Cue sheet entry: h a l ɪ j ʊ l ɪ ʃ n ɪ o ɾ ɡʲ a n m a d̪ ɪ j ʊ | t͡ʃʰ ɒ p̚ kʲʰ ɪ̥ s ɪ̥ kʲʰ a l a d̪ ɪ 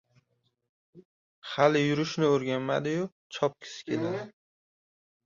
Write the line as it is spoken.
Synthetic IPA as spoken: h a l ɪ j ʊ ɾ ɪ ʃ n ɪ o ɾ ɡʲ a n m a d̪ ɪ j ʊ | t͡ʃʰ ɒ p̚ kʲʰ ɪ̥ s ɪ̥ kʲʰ e l a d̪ ɪ

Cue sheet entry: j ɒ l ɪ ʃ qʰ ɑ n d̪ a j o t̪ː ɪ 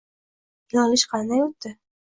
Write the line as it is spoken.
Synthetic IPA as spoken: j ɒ l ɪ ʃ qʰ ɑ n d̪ a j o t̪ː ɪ

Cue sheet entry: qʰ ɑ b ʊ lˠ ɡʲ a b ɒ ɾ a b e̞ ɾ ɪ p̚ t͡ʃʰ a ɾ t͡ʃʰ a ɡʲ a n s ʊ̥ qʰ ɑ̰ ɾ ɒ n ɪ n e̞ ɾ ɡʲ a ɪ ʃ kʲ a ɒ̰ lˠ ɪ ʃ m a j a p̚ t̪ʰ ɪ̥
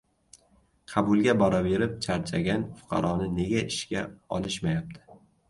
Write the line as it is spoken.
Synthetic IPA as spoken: qʰ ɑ b ʊ lˠ ɡʲ a b ɒ ɾ a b e̞ ɾ ɪ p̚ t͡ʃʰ a ɾ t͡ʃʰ a ɡʲ a n f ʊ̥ qʰ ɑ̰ ɾ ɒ n ɪ n e̞ ɡʲ a ɪ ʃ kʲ a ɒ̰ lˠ ɪ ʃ m a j a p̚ t̪ʰ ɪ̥

